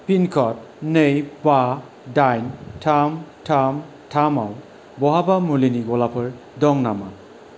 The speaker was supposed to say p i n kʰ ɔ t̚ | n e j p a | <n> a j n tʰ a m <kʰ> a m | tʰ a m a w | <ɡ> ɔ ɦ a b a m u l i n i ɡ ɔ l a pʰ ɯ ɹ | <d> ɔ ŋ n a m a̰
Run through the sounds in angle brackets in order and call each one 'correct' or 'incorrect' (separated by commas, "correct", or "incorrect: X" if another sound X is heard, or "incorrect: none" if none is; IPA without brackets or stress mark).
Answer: incorrect: d, incorrect: tʰ, incorrect: b, correct